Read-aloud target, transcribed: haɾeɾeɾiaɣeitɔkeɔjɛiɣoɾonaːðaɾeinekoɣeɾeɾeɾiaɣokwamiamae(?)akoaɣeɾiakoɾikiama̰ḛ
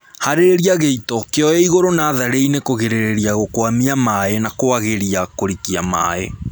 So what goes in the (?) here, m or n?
n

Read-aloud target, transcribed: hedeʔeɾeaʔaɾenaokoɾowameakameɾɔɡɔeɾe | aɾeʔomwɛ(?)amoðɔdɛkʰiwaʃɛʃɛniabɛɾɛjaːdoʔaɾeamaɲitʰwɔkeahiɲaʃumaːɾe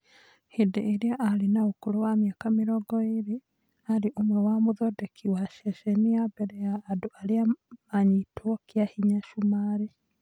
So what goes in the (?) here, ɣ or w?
w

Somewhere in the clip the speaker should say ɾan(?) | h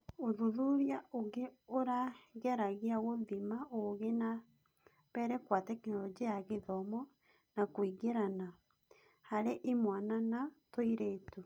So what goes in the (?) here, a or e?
a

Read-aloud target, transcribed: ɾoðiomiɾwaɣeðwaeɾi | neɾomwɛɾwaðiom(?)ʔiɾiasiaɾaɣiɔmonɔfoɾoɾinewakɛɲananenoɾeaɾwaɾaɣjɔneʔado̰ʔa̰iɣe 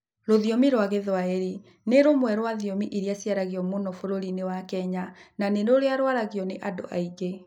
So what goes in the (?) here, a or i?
i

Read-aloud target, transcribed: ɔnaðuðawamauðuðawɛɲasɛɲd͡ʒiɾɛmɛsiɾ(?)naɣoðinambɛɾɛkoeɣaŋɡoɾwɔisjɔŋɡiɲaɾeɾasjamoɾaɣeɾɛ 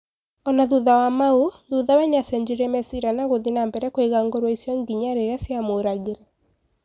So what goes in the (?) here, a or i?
a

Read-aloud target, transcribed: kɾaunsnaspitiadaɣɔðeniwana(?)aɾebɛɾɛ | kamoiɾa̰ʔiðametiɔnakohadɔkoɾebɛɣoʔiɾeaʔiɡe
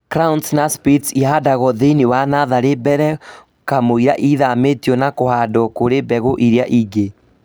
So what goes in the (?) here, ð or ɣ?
ð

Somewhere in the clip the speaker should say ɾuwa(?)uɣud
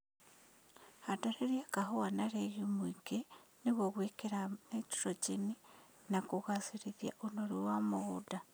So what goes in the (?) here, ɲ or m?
m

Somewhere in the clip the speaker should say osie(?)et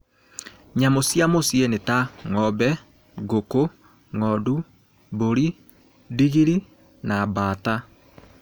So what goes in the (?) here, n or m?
n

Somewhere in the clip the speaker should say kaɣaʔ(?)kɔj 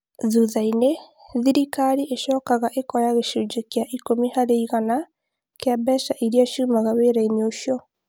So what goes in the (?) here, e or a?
e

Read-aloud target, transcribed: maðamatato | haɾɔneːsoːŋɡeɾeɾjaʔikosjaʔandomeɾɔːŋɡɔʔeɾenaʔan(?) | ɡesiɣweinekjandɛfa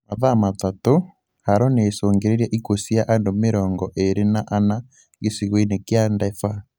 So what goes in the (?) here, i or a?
a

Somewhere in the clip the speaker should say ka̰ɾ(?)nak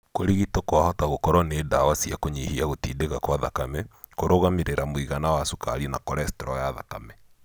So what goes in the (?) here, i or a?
i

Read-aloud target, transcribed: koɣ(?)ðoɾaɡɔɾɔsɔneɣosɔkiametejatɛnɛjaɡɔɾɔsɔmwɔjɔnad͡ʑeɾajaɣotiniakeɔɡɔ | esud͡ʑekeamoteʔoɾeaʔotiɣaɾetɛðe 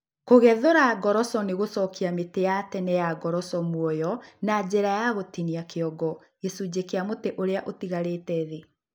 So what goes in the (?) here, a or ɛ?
ɛ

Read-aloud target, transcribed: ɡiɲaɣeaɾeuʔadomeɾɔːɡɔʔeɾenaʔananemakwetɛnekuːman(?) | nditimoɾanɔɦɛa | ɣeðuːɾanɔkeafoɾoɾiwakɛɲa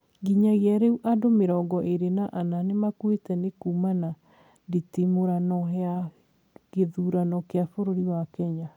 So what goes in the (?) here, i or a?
a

